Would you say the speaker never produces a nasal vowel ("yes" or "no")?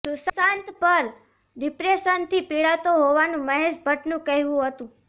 no